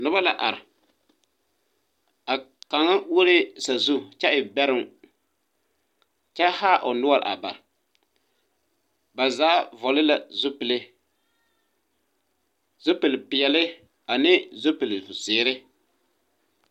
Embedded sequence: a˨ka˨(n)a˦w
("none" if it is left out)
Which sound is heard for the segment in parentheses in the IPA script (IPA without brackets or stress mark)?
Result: ŋ